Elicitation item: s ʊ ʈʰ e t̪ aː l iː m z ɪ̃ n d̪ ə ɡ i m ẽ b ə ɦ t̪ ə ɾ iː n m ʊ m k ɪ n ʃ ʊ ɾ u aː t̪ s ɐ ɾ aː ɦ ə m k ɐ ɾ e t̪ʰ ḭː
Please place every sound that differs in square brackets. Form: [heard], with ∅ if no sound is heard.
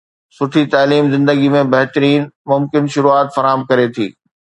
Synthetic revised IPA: s ʊ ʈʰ [i] t̪ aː l iː m z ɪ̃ n d̪ ə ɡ i m ẽ b [ɐ] ɦ t̪ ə ɾ iː n m ʊ m k ɪ n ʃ ʊ ɾ u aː t̪ [f] ɐ ɾ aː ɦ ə m k ɐ ɾ e t̪ʰ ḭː